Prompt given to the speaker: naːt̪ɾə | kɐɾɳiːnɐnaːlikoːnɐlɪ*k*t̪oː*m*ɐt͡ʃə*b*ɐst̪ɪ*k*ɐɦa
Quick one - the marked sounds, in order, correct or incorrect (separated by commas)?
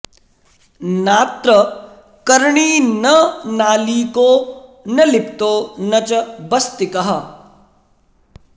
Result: incorrect, incorrect, correct, correct